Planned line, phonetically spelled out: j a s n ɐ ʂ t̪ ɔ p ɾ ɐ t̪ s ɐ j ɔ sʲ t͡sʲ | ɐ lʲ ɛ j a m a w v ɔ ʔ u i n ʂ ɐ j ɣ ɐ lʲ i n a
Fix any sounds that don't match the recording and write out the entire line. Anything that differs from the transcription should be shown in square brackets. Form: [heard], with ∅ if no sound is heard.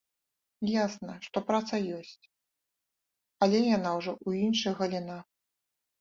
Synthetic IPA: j a s n ɐ ʂ t̪ ɔ p ɾ [a] t̪ s ɐ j ɔ sʲ t͡sʲ | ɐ lʲ ɛ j a [n] a w [ʐ] ɔ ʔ u i n ʂ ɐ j ɣ ɐ lʲ i n a